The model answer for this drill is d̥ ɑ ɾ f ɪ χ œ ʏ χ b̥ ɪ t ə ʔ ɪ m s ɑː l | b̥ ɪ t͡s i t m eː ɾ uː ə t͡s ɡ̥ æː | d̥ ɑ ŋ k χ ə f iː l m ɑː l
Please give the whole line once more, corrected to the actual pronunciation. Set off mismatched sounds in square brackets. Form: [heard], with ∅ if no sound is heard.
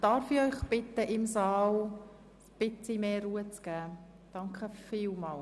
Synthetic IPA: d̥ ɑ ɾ f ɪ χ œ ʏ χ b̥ ɪ t ə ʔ ɪ m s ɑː l | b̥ ɪ t͡s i [∅] m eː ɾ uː ə t͡s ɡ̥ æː | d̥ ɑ ŋ k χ ə f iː l m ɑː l